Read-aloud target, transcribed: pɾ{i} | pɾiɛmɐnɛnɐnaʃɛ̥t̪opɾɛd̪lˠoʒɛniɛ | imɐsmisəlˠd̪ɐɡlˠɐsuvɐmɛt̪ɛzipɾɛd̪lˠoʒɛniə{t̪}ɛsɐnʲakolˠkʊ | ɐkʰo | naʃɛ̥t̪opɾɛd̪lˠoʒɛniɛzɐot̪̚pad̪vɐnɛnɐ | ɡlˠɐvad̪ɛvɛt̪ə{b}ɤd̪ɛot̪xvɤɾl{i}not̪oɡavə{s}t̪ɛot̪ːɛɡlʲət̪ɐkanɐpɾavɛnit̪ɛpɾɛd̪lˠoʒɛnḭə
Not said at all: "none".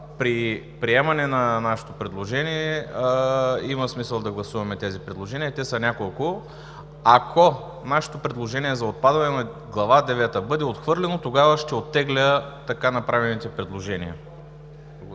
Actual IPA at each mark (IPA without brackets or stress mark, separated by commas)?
i, t̪, b, ɛ, ʃ